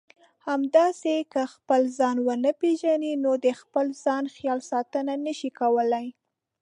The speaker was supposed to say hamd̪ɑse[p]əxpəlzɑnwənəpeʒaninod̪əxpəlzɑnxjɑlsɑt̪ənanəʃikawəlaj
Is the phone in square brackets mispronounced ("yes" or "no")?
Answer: yes